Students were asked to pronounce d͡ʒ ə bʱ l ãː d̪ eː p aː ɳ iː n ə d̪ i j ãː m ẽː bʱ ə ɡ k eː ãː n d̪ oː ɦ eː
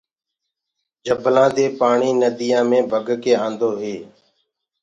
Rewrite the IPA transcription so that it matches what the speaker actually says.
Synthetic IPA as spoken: d͡ʒ ə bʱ l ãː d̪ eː p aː ɳ iː n ə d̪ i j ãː m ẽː bʱ ə ɡ k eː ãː n d̪ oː ɦ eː